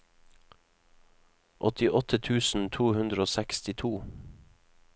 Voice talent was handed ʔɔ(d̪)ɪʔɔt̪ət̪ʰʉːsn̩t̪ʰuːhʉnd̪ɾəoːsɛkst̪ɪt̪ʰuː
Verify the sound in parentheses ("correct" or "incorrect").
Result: incorrect